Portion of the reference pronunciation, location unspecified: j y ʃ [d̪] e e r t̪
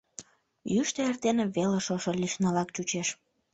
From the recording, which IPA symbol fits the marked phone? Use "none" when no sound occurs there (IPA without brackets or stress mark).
t̪